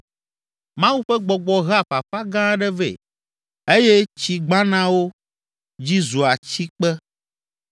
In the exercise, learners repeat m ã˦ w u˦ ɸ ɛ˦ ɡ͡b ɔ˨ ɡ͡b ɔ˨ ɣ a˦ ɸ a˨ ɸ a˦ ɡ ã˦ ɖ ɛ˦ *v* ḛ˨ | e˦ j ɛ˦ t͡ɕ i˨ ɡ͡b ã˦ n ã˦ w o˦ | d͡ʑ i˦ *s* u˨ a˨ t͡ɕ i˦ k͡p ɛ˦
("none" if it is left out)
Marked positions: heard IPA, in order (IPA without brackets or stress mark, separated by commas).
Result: v, z